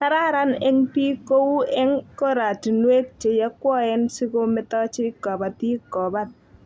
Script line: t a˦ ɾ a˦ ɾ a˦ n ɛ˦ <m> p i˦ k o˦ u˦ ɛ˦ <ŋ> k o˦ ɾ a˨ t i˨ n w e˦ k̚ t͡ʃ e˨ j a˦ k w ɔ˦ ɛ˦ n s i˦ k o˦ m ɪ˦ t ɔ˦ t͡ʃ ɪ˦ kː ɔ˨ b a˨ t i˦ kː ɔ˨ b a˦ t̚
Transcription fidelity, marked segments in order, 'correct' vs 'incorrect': incorrect, correct

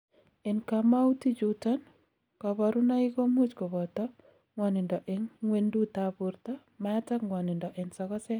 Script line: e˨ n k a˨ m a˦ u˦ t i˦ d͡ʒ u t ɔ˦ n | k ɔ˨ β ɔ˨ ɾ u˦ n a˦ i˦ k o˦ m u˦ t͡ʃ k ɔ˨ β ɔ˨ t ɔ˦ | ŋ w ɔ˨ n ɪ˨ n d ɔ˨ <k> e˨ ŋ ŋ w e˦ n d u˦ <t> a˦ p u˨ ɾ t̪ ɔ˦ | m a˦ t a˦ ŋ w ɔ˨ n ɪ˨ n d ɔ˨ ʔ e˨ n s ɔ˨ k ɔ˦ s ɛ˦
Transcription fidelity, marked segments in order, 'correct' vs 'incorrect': incorrect, correct

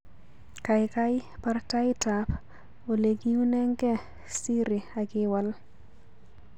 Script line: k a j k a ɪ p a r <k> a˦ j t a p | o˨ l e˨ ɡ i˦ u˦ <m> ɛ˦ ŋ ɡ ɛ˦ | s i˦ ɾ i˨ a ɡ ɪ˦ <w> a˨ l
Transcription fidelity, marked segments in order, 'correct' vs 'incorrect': incorrect, incorrect, correct

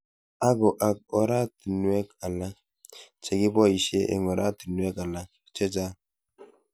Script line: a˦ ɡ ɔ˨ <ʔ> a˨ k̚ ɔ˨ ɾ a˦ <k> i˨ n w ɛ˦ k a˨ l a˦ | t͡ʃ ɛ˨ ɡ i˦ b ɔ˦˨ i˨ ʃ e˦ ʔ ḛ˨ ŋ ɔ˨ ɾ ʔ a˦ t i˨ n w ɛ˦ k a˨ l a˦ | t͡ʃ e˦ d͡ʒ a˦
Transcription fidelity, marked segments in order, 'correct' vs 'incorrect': correct, incorrect

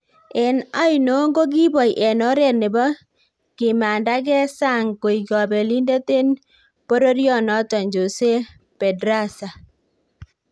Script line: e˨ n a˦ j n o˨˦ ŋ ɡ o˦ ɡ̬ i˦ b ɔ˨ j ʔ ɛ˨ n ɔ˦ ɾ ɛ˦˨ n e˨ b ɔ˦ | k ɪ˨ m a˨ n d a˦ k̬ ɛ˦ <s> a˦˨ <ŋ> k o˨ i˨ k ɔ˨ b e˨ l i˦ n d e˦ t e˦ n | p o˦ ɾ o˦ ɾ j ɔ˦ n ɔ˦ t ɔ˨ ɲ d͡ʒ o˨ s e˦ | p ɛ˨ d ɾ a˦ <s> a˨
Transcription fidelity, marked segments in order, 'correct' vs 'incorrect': correct, correct, correct

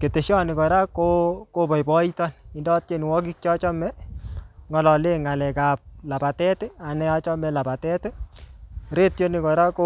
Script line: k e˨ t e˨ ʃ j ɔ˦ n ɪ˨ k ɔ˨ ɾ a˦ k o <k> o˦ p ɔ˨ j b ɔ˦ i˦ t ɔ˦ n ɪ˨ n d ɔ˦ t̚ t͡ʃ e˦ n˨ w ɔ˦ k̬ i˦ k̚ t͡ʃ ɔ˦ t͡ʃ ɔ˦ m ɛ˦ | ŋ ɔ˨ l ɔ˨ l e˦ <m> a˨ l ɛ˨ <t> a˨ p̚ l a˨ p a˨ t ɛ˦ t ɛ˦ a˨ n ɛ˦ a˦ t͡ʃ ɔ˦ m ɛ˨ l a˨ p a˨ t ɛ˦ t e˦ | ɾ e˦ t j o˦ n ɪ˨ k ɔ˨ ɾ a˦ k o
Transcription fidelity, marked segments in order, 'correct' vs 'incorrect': correct, incorrect, incorrect

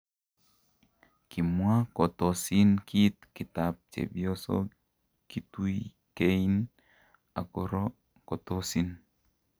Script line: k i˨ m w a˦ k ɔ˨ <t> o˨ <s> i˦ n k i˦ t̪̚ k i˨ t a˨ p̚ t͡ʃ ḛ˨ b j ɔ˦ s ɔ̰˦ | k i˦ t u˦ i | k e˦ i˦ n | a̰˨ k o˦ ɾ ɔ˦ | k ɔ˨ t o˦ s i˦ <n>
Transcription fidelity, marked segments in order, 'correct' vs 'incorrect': correct, correct, correct

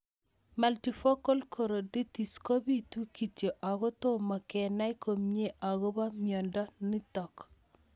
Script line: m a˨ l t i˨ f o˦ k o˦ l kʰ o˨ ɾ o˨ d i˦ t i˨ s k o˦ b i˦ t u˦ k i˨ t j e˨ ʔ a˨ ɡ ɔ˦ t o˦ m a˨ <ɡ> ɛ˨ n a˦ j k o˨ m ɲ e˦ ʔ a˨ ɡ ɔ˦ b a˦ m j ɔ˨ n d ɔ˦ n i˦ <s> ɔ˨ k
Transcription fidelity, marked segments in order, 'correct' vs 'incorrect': incorrect, incorrect

